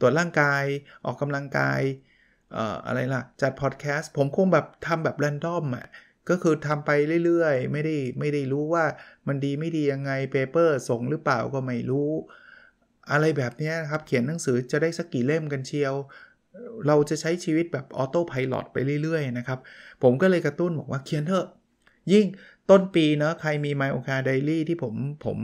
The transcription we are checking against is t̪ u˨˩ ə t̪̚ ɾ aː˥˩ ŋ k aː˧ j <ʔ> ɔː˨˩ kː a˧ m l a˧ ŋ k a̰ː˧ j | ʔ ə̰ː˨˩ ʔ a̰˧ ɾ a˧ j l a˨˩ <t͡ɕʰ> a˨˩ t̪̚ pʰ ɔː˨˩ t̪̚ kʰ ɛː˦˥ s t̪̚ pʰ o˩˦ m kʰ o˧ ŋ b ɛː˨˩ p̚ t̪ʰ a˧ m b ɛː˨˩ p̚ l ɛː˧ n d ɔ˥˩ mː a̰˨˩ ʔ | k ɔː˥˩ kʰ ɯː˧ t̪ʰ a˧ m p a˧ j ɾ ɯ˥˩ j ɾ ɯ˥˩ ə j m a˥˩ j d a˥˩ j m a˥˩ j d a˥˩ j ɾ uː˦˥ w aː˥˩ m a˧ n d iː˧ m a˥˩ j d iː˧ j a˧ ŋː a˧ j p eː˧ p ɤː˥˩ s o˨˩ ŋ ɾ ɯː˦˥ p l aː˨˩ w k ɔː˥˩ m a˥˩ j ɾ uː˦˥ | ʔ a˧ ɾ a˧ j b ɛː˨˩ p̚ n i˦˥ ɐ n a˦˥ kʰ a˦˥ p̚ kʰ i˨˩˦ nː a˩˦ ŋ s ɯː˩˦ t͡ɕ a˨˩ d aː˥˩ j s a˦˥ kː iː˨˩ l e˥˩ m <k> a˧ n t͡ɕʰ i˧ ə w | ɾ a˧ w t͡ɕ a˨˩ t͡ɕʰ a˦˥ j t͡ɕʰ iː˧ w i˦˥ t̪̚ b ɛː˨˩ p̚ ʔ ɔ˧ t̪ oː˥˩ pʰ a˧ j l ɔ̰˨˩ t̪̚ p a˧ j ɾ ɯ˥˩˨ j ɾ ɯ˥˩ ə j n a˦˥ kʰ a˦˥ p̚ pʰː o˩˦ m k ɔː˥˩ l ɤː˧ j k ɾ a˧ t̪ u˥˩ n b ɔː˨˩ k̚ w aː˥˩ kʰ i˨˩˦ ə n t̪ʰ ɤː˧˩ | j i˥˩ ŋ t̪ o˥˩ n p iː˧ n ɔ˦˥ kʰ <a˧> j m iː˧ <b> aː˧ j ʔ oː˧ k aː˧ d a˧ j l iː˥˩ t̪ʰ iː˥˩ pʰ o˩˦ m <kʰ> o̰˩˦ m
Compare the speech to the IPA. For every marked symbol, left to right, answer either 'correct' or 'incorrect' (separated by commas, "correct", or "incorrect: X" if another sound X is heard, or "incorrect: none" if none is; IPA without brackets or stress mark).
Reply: correct, incorrect: t͡ɕ, correct, correct, incorrect: m, incorrect: pʰ